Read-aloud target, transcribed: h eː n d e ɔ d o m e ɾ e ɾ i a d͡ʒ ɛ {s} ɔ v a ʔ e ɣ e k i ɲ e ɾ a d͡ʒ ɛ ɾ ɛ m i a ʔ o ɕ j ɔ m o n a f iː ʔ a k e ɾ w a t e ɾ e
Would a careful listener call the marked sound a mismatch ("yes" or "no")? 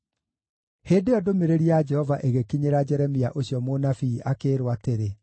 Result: yes